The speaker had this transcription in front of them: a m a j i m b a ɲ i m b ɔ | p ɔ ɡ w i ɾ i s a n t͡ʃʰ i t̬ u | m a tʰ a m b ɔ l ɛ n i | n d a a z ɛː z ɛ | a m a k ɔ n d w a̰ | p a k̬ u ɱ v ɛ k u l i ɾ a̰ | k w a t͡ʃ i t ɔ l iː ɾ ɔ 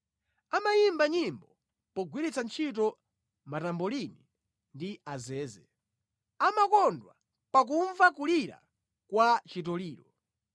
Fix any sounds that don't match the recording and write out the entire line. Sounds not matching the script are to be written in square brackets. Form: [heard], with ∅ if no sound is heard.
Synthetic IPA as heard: a m a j i m b a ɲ i m b ɔ | p ɔ ɡ w i ɾ i [t͡s] a n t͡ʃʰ i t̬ [ɔ] | m a [t] a m b ɔ l [i] n i | n d [i] a z ɛː z ɛ | a m a k ɔ n d w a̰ | p a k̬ u ɱ v [a] k u l i ɾ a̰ | k w a t͡ʃ i t ɔ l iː ɾ ɔ